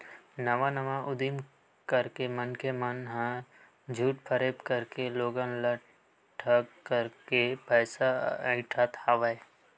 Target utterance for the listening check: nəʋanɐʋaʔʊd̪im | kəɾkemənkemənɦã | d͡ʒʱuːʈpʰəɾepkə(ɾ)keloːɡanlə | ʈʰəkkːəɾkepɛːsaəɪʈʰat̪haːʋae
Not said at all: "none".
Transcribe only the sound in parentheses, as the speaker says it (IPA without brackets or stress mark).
ɾ